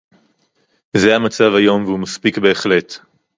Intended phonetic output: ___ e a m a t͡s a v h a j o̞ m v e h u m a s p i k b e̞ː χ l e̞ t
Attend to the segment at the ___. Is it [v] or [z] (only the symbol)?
z